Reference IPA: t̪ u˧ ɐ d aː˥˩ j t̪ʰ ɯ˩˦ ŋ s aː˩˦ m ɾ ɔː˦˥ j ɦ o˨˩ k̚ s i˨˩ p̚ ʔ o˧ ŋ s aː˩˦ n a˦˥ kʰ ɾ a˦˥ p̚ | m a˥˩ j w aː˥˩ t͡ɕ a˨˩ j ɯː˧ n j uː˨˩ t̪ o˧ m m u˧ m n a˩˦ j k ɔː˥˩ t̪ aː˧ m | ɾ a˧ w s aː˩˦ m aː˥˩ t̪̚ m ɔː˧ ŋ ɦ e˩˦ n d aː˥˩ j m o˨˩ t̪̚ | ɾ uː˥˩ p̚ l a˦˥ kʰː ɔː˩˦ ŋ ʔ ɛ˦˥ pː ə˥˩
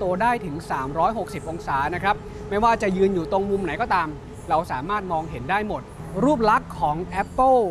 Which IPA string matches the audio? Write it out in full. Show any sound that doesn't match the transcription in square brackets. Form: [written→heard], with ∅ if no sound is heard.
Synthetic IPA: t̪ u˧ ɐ d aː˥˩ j t̪ʰ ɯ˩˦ ŋ s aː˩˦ m ɾ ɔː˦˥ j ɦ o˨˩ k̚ s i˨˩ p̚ ʔ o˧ ŋ s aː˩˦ n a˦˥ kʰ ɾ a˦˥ p̚ | m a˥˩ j w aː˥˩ t͡ɕ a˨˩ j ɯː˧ n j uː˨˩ t̪ o˧ [m→ŋ] m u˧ m n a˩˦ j k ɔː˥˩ t̪ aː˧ m | ɾ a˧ w s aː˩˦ m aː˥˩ t̪̚ m ɔː˧ ŋ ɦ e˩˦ n d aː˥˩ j m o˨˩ t̪̚ | ɾ uː˥˩ p̚ l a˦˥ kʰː ɔː˩˦ ŋ ʔ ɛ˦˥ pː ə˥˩